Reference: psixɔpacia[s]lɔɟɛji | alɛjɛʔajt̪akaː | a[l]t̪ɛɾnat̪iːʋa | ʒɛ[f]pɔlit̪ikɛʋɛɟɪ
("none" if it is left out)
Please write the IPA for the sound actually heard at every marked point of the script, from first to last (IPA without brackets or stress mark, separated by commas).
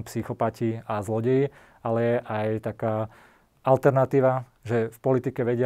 z, l, f